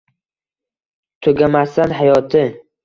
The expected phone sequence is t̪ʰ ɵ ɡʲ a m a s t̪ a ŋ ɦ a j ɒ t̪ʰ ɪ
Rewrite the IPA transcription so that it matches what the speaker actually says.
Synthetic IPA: t̪ʰ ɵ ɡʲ a m a s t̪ a n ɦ a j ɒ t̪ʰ ɪ